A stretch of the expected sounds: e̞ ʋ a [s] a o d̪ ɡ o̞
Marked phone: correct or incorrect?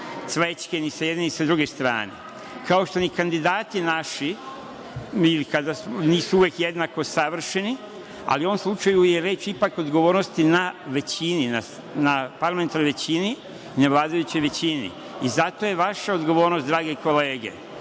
incorrect